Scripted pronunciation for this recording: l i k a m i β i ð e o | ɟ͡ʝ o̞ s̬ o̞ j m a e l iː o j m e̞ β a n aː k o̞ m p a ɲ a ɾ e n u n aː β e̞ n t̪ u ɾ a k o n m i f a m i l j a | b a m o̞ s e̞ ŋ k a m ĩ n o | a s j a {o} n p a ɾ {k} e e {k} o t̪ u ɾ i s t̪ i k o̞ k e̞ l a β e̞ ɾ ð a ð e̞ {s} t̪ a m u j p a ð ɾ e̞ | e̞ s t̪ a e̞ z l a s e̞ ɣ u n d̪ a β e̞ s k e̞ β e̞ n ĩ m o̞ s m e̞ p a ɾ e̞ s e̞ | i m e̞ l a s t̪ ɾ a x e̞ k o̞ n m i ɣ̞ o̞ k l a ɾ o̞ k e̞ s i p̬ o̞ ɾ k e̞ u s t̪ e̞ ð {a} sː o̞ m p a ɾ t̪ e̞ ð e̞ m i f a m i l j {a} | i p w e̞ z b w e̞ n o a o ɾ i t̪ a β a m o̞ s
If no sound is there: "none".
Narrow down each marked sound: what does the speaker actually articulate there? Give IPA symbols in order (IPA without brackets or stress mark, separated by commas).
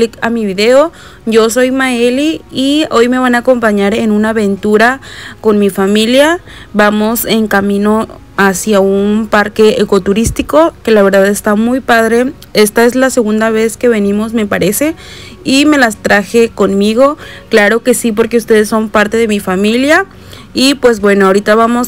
u, k, k, s, e, a